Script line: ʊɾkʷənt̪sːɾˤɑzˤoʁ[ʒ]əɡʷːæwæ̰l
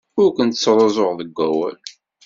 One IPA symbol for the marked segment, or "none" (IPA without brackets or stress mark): ð